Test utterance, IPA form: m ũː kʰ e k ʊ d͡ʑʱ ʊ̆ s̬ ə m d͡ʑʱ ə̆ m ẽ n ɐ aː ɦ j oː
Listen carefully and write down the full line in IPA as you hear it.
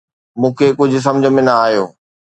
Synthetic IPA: m ũː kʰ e k ʊ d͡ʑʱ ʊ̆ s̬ ɐ m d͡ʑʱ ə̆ m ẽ n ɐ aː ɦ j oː